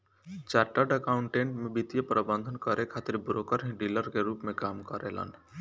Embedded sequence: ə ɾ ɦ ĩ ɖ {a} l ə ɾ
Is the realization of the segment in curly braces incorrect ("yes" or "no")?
yes